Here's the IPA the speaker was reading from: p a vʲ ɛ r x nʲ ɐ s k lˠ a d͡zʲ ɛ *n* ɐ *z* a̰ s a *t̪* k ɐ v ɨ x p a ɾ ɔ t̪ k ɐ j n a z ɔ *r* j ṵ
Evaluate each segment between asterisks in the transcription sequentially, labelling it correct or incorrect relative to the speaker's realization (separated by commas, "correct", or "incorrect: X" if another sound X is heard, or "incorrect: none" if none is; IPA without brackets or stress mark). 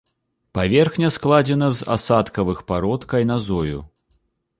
correct, correct, correct, incorrect: none